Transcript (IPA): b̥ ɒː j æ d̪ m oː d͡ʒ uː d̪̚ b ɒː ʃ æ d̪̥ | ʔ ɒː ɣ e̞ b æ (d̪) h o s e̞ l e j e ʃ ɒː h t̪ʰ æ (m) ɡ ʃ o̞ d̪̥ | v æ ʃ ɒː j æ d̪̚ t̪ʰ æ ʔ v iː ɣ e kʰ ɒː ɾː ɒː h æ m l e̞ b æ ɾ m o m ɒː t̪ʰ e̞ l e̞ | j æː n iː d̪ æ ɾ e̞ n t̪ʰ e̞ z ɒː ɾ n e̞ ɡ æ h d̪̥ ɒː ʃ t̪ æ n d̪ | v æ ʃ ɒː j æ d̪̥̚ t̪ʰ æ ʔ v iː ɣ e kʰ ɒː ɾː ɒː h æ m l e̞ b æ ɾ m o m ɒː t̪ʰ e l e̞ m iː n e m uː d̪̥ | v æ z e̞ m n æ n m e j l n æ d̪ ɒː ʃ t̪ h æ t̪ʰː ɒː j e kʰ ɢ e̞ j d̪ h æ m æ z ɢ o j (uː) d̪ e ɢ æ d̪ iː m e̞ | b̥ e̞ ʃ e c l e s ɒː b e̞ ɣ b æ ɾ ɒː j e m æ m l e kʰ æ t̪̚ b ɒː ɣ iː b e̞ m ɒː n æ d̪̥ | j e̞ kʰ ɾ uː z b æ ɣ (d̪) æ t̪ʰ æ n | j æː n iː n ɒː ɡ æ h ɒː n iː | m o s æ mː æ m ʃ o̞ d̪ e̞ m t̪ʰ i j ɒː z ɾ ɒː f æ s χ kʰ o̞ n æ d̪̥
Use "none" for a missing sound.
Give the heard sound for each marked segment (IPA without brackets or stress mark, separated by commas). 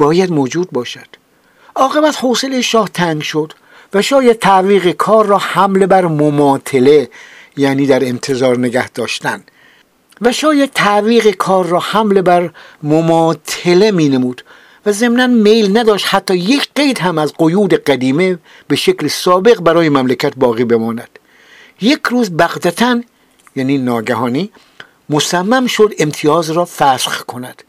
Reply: t̪, ŋ, uː, d̪